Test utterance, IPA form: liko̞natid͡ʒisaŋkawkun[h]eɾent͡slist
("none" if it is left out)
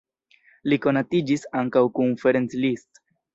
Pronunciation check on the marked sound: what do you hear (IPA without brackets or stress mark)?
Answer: f